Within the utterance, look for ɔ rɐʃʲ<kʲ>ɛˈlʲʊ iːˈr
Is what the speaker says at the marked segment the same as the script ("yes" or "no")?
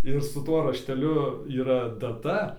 no